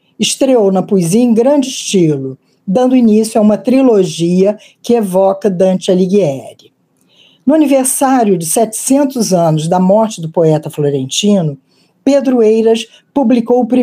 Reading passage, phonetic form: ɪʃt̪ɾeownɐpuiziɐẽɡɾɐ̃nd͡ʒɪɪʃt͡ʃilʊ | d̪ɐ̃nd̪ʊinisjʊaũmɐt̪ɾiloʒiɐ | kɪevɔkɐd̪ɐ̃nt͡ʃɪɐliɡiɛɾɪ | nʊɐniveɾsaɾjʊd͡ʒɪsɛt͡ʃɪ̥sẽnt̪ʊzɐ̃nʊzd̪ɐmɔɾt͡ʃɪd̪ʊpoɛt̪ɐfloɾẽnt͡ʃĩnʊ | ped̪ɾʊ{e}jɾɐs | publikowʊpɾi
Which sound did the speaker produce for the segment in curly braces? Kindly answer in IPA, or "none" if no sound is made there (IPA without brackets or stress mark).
e